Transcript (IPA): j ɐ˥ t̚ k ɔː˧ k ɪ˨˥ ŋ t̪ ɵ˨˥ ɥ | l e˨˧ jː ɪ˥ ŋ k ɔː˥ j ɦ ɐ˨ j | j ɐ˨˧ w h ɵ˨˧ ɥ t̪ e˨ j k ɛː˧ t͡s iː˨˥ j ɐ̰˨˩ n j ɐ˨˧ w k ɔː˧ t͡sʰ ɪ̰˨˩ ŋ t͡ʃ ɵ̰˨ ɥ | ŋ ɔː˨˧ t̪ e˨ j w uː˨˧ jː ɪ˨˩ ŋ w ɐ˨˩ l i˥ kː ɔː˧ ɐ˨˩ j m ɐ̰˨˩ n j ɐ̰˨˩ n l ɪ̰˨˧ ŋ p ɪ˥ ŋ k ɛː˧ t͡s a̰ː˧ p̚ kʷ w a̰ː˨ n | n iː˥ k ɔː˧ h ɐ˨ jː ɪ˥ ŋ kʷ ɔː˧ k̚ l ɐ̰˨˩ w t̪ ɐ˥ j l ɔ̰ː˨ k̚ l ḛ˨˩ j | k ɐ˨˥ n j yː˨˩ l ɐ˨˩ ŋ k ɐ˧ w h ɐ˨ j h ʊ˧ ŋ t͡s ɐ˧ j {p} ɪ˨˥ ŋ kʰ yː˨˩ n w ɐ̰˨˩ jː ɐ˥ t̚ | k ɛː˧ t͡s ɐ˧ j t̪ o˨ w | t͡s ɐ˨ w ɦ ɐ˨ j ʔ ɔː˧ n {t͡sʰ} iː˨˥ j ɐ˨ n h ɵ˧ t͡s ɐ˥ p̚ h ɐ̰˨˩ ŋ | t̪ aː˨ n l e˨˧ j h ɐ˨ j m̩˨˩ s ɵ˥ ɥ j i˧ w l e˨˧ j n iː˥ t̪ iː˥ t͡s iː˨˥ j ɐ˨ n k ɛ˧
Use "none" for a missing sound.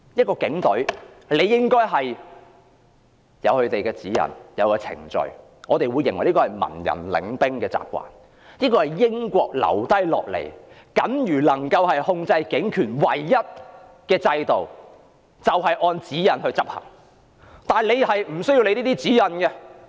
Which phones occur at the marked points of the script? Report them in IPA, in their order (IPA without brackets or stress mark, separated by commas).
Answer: k, t͡s